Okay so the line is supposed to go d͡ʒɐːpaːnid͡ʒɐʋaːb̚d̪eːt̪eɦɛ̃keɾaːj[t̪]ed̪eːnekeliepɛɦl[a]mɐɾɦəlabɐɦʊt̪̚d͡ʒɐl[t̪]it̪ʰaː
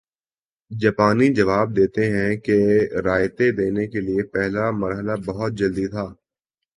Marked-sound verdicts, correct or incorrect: correct, correct, incorrect

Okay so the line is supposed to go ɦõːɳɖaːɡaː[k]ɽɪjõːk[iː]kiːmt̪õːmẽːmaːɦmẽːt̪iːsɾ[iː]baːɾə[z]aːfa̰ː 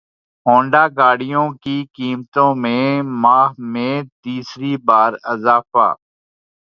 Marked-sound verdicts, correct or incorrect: incorrect, correct, correct, correct

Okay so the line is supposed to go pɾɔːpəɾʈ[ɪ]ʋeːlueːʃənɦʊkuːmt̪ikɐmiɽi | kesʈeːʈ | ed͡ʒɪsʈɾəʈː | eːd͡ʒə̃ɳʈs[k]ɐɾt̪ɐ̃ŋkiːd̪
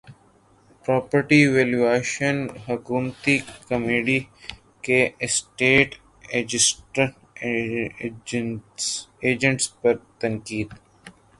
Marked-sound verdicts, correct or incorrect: incorrect, incorrect

